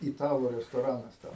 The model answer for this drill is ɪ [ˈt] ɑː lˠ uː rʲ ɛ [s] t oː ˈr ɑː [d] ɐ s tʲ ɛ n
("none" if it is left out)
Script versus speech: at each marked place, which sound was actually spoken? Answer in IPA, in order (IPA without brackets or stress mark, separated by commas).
t, s, n